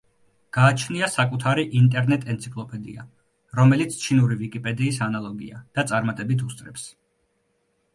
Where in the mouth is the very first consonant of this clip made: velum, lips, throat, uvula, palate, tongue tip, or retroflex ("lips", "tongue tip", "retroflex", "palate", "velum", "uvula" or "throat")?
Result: velum